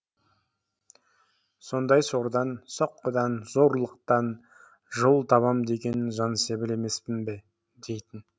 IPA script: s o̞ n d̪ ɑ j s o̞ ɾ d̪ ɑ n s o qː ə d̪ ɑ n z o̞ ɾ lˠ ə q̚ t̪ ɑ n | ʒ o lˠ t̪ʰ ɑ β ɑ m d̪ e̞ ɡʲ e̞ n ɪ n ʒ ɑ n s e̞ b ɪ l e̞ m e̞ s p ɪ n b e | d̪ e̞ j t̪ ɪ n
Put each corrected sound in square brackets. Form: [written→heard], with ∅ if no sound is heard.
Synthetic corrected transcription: s o̞ n d̪ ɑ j s o̞ ɾ d̪ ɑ n s o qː ə d̪ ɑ n z o̞ ɾ lˠ ə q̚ t̪ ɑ n | ʒ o lˠ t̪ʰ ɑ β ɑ m d̪ e̞ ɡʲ e̞ n ɪ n ʒ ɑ n s e̞ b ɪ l e̞ m e̞ s p ɪ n b e | d̪ e̞ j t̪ ɪ n